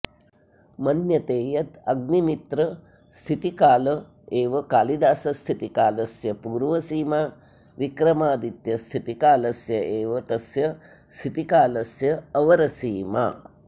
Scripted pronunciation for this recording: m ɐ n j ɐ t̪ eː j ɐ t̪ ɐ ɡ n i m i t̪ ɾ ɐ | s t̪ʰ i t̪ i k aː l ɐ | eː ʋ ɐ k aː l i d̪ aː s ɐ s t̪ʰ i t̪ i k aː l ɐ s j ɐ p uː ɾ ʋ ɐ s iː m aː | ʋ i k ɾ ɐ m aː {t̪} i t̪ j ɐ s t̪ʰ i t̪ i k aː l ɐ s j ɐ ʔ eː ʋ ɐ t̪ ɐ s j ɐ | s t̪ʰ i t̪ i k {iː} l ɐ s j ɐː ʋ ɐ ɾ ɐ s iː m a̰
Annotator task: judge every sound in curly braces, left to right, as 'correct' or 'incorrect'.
incorrect: d̪, incorrect: aː

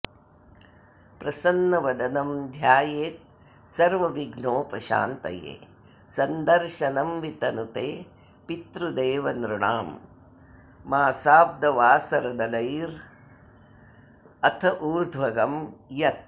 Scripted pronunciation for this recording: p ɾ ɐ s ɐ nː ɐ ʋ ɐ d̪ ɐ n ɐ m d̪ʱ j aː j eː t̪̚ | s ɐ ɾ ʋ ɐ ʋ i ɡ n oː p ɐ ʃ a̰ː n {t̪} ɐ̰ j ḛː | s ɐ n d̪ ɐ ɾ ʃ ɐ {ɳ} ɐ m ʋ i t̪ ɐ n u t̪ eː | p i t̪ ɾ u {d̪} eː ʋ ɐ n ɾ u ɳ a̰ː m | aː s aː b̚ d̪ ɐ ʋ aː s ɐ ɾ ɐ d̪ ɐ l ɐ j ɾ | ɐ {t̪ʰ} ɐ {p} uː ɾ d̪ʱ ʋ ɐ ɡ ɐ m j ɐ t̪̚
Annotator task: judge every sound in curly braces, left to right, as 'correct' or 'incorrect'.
correct, incorrect: n, correct, correct, incorrect: ʔ

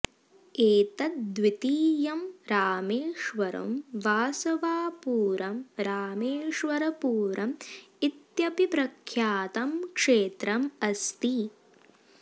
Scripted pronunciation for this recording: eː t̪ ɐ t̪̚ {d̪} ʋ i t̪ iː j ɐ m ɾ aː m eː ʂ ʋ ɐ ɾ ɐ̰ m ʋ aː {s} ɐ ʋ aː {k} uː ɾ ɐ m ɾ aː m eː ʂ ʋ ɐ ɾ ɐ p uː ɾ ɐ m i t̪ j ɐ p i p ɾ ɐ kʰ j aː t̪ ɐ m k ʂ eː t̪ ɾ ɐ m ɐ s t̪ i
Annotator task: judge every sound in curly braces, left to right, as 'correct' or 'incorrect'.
correct, correct, incorrect: p

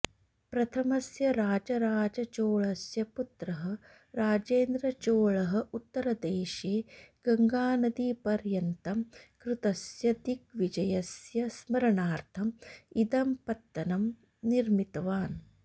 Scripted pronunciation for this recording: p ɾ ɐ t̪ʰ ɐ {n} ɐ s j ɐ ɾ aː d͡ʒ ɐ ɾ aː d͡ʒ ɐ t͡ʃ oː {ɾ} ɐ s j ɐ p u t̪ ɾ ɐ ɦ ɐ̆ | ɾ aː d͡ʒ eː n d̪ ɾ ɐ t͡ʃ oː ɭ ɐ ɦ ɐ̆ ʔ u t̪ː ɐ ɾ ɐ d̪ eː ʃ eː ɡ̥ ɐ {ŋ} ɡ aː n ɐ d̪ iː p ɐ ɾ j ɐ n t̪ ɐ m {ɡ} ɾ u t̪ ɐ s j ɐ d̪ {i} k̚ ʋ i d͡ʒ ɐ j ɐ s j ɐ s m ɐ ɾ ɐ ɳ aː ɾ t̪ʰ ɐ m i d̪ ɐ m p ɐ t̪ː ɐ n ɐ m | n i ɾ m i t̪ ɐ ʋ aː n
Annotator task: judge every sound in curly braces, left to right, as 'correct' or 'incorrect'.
incorrect: m, incorrect: ɭ, correct, incorrect: k, correct

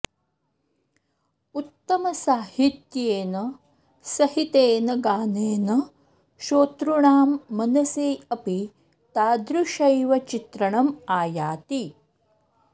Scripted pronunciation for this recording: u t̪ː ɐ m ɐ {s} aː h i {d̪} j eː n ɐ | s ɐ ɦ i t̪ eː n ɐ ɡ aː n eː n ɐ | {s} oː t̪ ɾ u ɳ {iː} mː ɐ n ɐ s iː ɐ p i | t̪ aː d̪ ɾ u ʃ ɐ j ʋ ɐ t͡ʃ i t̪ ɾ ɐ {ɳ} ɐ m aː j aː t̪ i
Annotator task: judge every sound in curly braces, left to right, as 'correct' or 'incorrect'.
correct, incorrect: t̪, incorrect: ʃ, incorrect: aː, correct

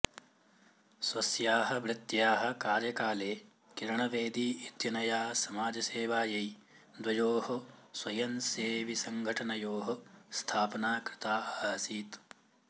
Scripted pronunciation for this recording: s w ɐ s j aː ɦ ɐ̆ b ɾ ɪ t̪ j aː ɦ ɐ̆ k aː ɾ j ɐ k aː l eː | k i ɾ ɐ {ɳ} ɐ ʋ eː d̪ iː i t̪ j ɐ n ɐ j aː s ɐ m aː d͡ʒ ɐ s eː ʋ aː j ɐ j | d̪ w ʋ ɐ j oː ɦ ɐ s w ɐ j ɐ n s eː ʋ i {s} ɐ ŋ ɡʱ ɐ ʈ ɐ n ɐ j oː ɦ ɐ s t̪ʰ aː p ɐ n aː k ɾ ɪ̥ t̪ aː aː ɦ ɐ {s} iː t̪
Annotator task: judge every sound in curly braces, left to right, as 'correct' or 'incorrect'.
correct, correct, correct

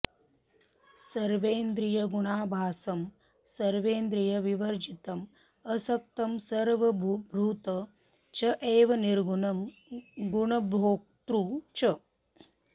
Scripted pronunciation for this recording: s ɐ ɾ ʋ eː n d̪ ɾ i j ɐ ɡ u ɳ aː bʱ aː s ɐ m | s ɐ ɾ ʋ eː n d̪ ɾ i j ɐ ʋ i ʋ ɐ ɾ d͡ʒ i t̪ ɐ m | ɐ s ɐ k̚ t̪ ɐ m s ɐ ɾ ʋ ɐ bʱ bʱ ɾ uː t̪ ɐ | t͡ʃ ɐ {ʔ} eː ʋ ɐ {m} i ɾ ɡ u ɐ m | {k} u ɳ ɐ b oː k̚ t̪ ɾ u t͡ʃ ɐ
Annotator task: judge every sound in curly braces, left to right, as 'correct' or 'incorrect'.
correct, incorrect: n, incorrect: ɡ

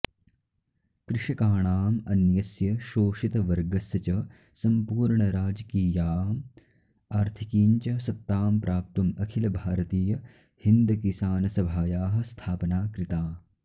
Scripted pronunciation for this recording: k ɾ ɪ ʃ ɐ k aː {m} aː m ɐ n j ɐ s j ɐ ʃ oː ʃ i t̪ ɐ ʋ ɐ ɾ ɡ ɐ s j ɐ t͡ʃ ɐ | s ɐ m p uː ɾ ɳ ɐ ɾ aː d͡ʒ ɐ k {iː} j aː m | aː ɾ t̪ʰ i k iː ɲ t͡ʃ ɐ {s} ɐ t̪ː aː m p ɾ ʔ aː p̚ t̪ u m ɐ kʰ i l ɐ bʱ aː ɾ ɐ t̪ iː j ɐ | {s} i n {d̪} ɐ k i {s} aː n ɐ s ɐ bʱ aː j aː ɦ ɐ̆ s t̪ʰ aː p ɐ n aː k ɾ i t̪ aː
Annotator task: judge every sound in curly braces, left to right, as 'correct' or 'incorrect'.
incorrect: ɳ, correct, correct, incorrect: h, correct, correct

